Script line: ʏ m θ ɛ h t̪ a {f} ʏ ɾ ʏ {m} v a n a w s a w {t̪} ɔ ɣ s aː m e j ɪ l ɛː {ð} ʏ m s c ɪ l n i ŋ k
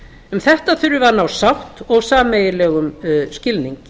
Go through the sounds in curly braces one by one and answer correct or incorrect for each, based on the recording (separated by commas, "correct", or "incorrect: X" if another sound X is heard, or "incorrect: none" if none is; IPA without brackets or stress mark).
incorrect: θ, incorrect: none, correct, incorrect: ɣ